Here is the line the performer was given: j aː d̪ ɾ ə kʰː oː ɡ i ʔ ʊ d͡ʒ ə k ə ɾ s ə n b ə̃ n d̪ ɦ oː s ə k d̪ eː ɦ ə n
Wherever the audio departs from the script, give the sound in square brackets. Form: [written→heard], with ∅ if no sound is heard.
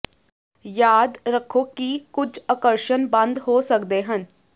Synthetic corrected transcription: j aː d̪ ɾ ə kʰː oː [ɡ→k] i [ʔ→k] ʊ d͡ʒ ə k ə ɾ [s→ʃ] ə n b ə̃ n d̪ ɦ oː s ə k d̪ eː ɦ ə n